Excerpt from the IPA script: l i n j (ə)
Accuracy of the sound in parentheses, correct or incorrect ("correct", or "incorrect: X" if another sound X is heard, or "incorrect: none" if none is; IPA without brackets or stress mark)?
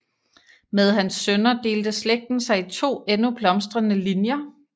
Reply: incorrect: ɐ